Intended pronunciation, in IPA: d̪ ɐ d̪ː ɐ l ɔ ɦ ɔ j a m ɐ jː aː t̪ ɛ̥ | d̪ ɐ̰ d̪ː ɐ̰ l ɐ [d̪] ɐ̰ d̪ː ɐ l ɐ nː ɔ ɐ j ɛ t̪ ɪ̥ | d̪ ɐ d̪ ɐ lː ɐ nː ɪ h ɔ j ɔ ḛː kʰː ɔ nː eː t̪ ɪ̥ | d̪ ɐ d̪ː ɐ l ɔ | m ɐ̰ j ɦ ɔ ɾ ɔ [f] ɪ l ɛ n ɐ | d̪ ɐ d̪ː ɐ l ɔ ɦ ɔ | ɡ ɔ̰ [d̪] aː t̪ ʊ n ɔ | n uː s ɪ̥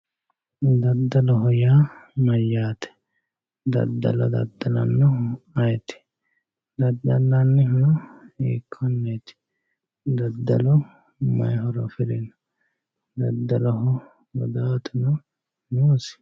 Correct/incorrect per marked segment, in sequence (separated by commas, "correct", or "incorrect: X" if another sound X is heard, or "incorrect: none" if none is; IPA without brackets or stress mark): correct, correct, correct